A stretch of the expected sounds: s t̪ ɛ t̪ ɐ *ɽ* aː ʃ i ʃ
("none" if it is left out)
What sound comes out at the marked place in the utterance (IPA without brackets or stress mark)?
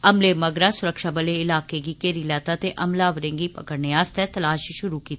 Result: l